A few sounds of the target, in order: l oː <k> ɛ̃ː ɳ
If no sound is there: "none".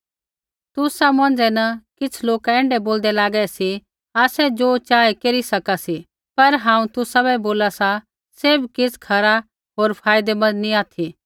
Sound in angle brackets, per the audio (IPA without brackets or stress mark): k